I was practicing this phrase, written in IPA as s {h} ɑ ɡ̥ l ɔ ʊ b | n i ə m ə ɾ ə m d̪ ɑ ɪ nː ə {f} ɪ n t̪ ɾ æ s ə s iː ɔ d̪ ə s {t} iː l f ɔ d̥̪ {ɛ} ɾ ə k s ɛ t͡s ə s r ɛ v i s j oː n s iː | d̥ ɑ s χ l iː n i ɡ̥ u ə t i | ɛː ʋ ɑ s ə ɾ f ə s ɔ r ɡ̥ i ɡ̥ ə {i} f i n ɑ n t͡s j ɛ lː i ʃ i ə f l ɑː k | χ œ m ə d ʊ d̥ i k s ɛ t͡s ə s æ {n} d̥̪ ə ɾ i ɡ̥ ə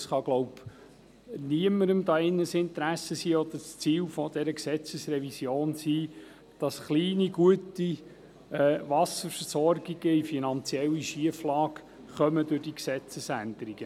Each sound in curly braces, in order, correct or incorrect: incorrect: χ, incorrect: s, incorrect: t͡s, correct, correct, correct

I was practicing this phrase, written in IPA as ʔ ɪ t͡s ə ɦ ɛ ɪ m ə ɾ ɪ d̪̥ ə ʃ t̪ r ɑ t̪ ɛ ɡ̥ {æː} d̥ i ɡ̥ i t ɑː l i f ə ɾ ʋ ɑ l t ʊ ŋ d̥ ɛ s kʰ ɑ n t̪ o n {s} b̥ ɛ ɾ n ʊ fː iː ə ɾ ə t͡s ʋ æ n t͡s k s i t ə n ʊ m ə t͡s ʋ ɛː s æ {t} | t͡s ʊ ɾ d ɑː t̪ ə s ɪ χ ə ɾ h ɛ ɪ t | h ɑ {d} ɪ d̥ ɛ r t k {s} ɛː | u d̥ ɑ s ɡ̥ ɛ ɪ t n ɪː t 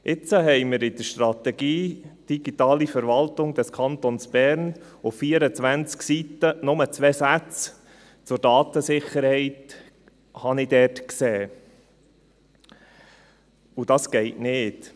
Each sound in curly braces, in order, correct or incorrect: incorrect: iː, correct, incorrect: t͡s, incorrect: n, correct

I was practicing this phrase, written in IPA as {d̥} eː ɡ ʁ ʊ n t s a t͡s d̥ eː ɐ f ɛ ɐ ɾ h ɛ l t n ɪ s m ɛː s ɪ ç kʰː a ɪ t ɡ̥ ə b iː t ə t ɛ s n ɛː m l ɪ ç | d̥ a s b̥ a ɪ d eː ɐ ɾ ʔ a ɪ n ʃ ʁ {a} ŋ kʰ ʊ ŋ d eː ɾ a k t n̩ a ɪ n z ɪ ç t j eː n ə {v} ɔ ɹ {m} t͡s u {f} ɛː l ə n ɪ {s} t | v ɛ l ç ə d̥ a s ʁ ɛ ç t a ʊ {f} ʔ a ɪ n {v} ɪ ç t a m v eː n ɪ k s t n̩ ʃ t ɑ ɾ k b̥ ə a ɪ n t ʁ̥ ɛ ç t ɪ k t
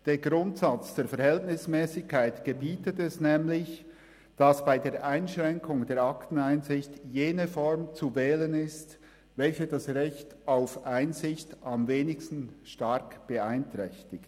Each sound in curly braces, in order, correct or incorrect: correct, incorrect: ɛ, incorrect: f, correct, incorrect: v, correct, correct, incorrect: z

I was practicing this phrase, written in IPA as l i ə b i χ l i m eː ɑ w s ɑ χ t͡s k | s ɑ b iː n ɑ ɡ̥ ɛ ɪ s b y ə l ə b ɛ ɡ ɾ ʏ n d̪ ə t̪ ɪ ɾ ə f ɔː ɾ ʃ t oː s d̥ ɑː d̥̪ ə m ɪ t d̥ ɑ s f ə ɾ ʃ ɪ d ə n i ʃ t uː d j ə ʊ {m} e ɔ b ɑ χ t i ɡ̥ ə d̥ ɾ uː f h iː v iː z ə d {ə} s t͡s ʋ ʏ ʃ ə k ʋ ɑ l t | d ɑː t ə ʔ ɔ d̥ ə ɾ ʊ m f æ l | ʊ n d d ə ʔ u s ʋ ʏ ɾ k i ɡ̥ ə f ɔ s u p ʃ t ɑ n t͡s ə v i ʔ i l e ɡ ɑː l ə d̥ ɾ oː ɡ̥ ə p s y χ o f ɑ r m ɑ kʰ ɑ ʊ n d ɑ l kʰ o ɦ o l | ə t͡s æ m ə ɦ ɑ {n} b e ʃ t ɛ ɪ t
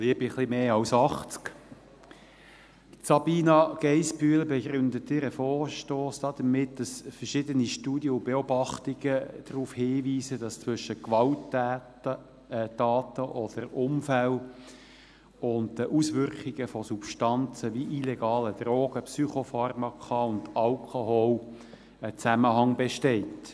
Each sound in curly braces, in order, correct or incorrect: incorrect: b, incorrect: ɑ, incorrect: ŋ

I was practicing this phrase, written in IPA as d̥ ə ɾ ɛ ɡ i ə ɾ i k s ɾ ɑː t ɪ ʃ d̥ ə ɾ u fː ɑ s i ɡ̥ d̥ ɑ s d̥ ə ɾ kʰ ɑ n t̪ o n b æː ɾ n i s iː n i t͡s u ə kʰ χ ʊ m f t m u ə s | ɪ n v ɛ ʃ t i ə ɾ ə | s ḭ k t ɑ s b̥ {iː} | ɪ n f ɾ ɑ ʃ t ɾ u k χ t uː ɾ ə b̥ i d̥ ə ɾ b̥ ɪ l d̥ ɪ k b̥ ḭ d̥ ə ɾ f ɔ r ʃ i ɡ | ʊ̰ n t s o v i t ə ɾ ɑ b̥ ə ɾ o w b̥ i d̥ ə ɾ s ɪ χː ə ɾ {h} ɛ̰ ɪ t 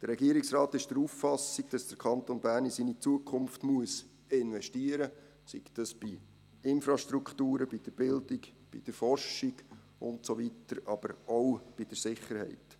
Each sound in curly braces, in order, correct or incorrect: incorrect: i, correct

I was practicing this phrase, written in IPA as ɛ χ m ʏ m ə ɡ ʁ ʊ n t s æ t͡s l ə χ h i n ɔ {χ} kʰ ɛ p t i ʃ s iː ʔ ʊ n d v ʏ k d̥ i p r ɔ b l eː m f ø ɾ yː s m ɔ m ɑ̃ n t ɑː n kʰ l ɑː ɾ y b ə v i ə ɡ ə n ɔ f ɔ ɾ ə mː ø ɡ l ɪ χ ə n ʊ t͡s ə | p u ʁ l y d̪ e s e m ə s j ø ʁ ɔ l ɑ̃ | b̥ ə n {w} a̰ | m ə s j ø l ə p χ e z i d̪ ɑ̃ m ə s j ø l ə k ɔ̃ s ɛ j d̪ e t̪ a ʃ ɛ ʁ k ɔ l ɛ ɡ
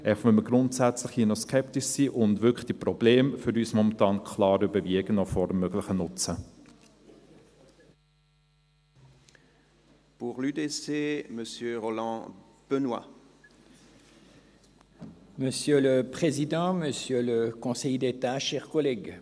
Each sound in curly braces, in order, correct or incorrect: incorrect: s, correct

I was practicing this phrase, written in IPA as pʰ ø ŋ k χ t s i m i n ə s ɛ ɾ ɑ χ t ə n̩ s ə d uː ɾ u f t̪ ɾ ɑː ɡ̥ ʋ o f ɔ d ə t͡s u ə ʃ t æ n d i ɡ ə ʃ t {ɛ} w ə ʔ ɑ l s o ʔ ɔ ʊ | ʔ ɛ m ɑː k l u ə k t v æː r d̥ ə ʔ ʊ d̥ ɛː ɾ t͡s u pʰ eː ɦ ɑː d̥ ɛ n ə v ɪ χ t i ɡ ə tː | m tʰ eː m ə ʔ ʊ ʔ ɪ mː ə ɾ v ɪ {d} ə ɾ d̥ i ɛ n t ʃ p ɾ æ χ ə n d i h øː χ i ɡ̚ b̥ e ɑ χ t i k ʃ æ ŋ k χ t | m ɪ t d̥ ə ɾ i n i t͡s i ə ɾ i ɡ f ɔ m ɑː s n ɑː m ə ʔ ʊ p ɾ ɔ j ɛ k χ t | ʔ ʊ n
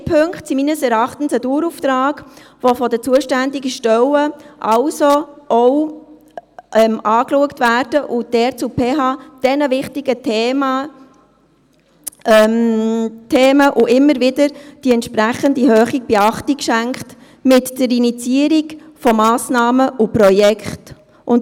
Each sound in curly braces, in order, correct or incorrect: incorrect: œ, correct

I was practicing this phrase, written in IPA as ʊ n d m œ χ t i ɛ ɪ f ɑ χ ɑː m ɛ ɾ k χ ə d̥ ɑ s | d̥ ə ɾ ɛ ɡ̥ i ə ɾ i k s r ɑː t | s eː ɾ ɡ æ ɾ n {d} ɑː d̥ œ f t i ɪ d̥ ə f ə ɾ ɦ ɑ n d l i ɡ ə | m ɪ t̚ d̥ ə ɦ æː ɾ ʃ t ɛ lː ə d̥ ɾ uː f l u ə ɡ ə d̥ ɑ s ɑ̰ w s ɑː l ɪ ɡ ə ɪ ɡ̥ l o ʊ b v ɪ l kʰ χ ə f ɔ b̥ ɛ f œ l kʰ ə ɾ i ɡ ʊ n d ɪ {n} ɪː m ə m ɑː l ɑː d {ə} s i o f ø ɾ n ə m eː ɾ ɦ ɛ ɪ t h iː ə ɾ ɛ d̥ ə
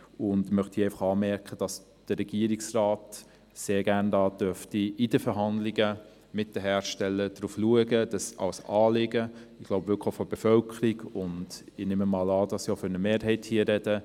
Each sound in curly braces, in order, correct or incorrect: correct, correct, incorrect: ɑ

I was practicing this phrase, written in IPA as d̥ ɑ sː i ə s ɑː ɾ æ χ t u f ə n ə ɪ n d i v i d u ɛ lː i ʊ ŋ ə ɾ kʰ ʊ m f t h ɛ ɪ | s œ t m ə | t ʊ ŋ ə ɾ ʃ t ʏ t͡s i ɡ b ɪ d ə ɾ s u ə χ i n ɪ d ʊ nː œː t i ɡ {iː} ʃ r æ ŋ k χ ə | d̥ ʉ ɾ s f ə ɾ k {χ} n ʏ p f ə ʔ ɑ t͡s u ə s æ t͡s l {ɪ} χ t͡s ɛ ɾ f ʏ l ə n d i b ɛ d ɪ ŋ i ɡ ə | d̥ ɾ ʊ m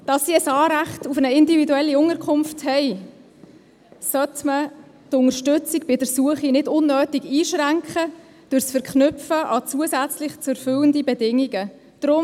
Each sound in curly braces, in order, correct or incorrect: correct, correct, correct

